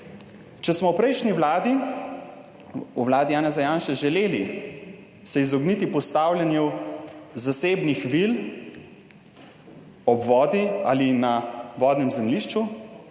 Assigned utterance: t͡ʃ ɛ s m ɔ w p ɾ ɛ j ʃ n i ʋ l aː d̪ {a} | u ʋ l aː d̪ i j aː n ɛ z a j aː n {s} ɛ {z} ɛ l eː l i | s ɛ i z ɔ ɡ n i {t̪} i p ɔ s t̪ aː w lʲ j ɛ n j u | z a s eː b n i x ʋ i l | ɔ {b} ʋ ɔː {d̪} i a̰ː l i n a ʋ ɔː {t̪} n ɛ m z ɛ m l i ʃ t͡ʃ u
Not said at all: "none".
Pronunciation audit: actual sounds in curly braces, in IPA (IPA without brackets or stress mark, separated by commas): i, ʃ, ʒ, t̪, b, d̪, d̪